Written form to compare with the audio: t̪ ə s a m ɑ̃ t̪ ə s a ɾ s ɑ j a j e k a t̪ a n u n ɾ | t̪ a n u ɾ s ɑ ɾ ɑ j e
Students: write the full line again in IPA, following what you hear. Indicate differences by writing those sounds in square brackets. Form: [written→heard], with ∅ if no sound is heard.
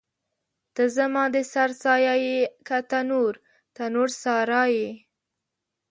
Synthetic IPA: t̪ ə [s→z] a m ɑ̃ [t̪→d̪] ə s a ɾ s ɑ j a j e k a t̪ a n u [n→∅] ɾ | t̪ a n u ɾ s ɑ ɾ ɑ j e